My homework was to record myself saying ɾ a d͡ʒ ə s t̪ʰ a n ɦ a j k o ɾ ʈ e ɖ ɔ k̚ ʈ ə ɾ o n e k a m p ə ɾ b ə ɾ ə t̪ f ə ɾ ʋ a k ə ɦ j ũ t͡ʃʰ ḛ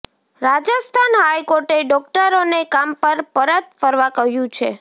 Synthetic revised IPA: ɾ a d͡ʒ ə s t̪ʰ a n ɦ a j k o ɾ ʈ e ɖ ɔ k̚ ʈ ə ɾ o n e k a m p ə ɾ p ə ɾ ə t̪ f ə ɾ ʋ a k ə ɦ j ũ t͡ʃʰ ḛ